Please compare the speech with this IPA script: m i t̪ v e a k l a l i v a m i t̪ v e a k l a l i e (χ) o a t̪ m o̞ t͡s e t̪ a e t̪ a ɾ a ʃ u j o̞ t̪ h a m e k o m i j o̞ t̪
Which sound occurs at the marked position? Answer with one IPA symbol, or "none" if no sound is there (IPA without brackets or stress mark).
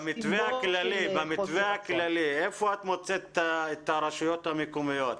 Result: f